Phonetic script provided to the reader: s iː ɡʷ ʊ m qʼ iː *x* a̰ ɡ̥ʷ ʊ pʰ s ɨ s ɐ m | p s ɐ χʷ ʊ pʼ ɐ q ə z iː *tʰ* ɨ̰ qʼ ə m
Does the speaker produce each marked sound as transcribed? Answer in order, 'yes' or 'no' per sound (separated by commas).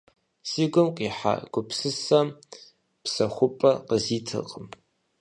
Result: no, yes